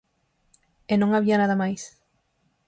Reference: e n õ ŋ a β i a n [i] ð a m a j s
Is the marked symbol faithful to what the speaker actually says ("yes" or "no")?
no